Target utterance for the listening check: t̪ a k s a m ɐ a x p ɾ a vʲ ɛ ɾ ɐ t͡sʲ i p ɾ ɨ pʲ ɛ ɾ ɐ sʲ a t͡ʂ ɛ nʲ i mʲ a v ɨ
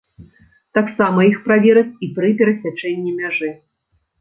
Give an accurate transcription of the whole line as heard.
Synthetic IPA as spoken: t̪ a k s a m ɐ i x p ɾ a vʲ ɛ ɾ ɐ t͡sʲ i p ɾ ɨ pʲ ɛ ɾ ɐ sʲ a t͡ʂ ɛ nʲː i mʲ a ʐ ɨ